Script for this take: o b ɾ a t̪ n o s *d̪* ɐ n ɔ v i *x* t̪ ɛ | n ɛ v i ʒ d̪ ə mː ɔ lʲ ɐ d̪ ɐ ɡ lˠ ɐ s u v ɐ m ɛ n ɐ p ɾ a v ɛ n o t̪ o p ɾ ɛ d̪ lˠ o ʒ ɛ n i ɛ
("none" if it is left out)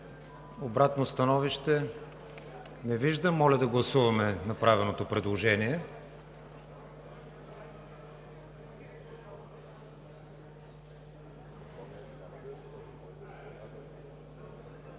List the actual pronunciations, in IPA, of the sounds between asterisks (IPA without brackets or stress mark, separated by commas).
t̪, ʃ